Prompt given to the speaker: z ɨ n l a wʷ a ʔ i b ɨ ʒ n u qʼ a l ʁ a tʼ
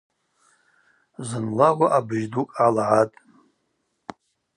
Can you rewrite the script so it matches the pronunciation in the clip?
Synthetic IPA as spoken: z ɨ n l a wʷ a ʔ a b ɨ ʒ d u kʼ a l ʕ a tʼ